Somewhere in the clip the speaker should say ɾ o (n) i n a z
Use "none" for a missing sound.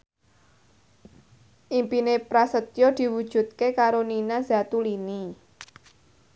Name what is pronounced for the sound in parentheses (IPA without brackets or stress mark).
n